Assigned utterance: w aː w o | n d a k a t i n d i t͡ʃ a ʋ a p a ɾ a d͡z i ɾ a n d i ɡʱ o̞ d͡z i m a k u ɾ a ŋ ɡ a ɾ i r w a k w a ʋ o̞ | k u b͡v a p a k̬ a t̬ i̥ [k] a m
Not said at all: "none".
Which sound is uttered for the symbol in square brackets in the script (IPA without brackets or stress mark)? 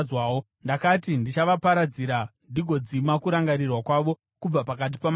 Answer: p